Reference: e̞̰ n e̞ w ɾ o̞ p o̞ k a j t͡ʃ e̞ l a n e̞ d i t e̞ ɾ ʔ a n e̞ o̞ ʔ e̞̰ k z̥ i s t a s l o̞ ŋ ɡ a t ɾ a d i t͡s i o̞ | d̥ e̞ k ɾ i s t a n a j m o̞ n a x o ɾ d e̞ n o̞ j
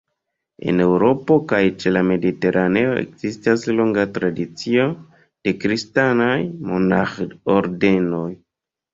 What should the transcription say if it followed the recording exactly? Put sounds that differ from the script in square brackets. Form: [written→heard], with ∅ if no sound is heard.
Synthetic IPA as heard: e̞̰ n e̞ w ɾ o̞ p o̞ k a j t͡ʃ e̞ l a [n→m] e̞ d i t e̞ ɾ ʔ a n e̞ o̞ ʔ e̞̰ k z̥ i s t a s l o̞ ŋ ɡ a t ɾ a d i t͡s i o̞ | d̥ e̞ k ɾ i s t a n a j m o̞ n a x o ɾ d e̞ n o̞ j

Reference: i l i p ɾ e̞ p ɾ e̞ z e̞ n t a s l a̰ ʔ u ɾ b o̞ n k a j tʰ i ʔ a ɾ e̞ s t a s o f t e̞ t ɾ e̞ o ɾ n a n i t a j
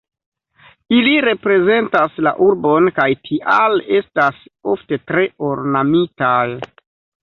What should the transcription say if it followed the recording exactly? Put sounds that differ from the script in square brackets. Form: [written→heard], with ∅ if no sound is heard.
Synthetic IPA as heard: i l i [p→∅] ɾ e̞ p ɾ e̞ z e̞ n t a s l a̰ ʔ u ɾ b o̞ n k a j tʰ i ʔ a [ɾ→l] e̞ s t a s o f t e̞ t ɾ e̞ o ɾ n a [n→m] i t a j

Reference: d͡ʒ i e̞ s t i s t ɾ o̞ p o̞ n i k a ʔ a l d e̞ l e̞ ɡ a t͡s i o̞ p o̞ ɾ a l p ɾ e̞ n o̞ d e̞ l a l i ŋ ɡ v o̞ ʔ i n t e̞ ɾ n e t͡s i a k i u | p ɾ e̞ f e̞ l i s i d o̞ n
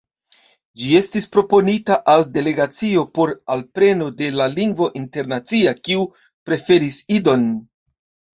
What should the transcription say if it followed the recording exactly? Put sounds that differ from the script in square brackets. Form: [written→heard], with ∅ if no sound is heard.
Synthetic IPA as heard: d͡ʒ i e̞ s t i s [t→p] ɾ o̞ p o̞ n i [k→t] a ʔ a l d e̞ l e̞ ɡ a t͡s i o̞ p o̞ ɾ a l p ɾ e̞ n o̞ d e̞ l a l i ŋ ɡ v o̞ ʔ i n t e̞ ɾ n [e→a] t͡s i a k i u | p ɾ e̞ f e̞ [l→ɾ] i s i d o̞ n

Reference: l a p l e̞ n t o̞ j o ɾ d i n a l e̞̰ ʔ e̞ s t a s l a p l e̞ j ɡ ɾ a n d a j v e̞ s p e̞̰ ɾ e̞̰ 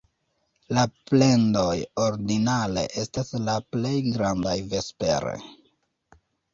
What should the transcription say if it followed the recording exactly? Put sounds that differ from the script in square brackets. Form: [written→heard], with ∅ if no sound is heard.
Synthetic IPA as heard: l a p l e̞ n [t→d] o̞ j o ɾ d i n a l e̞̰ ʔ e̞ s t a s l a p l e̞ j ɡ ɾ a n d a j v e̞ s p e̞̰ ɾ e̞̰

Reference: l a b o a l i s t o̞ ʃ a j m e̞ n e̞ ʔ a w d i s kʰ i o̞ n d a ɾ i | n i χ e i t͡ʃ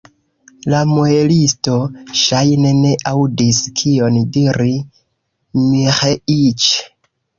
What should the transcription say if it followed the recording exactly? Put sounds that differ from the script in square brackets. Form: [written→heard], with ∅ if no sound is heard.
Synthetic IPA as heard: l a [b→m] o [a→e] l i s t o̞ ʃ a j [m→n] e̞ n e̞ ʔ a w d i s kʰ i o̞ n d [a→i] ɾ i | [n→m] i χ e i t͡ʃ

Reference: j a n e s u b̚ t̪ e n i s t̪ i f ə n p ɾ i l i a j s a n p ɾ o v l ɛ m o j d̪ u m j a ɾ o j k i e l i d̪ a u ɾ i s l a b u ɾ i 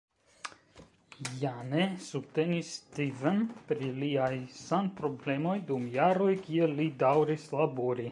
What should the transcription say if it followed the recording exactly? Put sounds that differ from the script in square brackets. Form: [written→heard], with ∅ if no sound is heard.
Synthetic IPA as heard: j a n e s u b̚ t̪ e n i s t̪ i [f→v] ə n p ɾ i l i a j s a n p ɾ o [v→b] l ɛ m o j d̪ u m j a ɾ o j k i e l i d̪ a [u→w] ɾ i s l a b u ɾ i

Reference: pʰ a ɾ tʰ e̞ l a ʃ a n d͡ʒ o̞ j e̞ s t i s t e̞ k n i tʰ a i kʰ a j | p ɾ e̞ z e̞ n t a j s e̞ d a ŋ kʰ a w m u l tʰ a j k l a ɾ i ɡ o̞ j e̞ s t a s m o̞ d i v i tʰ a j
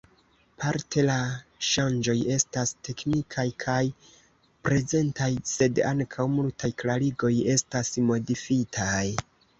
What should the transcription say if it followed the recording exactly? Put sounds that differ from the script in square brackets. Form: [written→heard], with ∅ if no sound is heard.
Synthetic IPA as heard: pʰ a ɾ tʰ e̞ l a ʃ a n d͡ʒ o̞ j e̞ s t [i→a] s t e̞ k n i [tʰ→kʰ] a [i→j] kʰ a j | p ɾ e̞ z e̞ n t a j s e̞ d a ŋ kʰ a w m u l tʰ a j k l a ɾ i ɡ o̞ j e̞ s t a s m o̞ d i [v→f] i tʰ a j

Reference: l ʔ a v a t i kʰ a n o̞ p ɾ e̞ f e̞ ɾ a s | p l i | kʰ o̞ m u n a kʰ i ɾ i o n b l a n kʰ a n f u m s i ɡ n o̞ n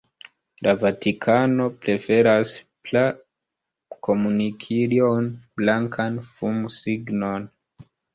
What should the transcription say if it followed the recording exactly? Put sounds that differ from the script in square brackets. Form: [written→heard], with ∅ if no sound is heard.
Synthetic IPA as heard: l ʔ a v a t i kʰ a n o̞ p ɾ e̞ f e̞ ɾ a s | p l [i→a] | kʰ o̞ m u n [a→i] kʰ i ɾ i o n b l a [n→ŋ] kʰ a n f u m s i ɡ n o̞ n

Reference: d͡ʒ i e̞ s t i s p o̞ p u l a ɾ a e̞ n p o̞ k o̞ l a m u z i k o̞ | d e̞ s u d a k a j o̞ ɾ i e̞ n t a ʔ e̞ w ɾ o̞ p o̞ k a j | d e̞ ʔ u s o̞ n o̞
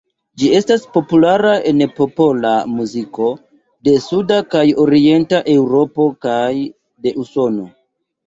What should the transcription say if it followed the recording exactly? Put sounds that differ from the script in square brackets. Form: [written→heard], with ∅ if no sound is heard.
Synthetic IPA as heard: d͡ʒ i e̞ s t [i→a] s p o̞ p u l a ɾ a e̞ n p o̞ [k→p] o̞ l a m u z i k o̞ | d e̞ s u d a k a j o̞ ɾ i e̞ n t a ʔ e̞ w ɾ o̞ p o̞ k a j | d e̞ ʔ u s o̞ n o̞

